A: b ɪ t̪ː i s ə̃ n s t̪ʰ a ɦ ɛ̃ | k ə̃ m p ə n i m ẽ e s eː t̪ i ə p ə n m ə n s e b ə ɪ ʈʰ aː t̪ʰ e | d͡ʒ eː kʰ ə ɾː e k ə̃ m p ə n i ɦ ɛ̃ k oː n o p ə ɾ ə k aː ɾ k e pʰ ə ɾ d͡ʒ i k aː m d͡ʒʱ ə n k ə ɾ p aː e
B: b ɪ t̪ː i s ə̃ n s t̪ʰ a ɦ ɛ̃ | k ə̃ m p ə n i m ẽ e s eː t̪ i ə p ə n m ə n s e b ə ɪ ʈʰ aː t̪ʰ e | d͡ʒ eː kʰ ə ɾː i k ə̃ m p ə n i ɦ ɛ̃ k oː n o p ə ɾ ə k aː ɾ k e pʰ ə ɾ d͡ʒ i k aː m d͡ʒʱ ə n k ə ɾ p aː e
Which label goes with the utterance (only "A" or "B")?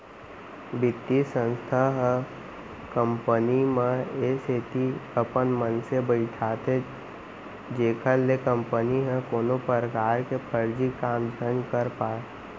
A